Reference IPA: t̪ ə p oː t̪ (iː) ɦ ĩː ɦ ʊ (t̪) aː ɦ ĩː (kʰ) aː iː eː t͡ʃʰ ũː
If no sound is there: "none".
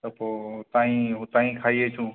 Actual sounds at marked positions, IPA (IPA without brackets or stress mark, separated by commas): aː, t̪, kʰ